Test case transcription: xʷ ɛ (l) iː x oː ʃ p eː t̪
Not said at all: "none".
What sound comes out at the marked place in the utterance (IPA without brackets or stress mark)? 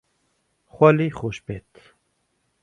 l